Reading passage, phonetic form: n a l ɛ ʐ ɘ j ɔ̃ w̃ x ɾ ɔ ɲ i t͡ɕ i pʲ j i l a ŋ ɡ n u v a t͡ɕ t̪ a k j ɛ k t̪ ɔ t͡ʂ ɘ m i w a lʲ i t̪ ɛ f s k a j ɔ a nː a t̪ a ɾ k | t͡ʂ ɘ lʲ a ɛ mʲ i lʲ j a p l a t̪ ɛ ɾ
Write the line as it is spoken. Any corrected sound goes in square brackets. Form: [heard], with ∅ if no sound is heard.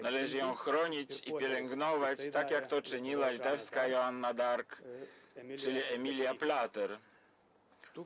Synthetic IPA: n a l ɛ ʐ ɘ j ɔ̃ w̃ x ɾ ɔ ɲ i t͡ɕ i pʲ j [ɛ] l [ɛ] ŋ ɡ n [ɔ] v a t͡ɕ t̪ a k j [a] k t̪ ɔ t͡ʂ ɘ [ɲ] i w a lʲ i t̪ ɛ f s k a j ɔ a nː a [d̪] a ɾ k | t͡ʂ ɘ lʲ [i] ɛ mʲ i lʲ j a p l a t̪ ɛ ɾ